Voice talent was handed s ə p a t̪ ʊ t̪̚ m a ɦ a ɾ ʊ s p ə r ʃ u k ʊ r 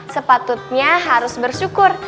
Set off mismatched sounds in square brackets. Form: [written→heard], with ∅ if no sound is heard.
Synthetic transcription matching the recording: s ə p a t̪ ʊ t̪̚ [m→ɲ] a ɦ a ɾ ʊ s [p→b] ə r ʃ u k ʊ r